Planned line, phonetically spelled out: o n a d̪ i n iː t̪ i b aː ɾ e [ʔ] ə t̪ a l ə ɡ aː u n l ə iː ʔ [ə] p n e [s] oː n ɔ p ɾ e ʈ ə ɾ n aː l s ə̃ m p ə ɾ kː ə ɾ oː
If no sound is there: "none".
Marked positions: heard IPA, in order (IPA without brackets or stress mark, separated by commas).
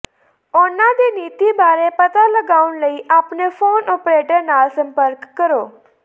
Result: p, a, f